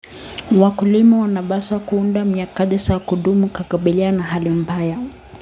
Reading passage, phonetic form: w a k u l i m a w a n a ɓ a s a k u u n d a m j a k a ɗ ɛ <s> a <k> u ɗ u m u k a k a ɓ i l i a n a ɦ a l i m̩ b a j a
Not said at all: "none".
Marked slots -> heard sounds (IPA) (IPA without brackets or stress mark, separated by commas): s, k